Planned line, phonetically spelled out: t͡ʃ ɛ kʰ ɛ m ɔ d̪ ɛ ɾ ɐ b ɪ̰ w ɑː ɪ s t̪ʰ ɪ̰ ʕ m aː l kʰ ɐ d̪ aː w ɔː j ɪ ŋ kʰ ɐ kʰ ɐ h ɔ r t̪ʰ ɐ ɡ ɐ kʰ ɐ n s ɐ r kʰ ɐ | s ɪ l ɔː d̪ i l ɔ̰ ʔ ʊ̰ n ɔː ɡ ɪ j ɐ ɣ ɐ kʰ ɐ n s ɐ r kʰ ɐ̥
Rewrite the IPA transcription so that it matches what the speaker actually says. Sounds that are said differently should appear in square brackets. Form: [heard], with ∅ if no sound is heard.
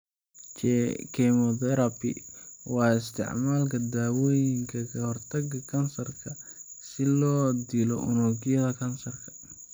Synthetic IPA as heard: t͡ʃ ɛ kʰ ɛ m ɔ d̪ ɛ ɾ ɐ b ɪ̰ w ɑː ɪ s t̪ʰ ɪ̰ ʕ m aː l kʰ ɐ d̪ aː w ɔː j ɪ ŋ kʰ ɐ kʰ ɐ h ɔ r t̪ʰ ɐ ɡ ɐ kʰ ɐ n s ɐ r kʰ ɐ | s ɪ l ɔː d̪ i l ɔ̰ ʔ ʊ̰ n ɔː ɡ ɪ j ɐ [ð] ɐ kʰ ɐ n s ɐ r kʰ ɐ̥